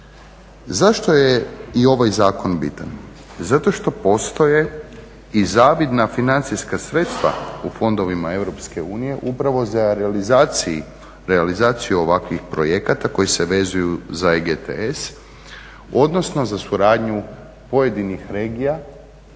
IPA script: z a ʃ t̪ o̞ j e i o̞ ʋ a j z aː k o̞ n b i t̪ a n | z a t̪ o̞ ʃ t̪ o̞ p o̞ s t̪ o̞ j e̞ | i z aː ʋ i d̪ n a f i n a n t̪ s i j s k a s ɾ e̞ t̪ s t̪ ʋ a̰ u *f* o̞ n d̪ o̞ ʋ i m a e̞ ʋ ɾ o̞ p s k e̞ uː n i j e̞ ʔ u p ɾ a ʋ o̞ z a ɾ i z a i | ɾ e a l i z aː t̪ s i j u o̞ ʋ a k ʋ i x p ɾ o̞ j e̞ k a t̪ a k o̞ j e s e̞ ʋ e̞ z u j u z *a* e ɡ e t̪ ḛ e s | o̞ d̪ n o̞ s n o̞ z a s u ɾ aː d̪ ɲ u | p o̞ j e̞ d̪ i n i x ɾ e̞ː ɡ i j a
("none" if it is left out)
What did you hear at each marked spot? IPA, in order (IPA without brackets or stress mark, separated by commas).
f, a